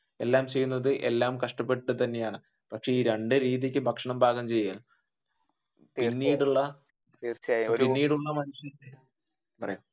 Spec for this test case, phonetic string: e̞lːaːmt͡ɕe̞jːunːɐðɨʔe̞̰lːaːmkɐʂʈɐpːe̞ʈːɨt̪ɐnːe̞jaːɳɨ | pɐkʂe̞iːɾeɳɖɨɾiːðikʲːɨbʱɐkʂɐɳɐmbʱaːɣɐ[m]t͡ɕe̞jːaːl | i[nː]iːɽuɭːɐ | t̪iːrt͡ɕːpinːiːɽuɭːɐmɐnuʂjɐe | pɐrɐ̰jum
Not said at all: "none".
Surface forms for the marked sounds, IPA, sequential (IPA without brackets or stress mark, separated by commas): m, nː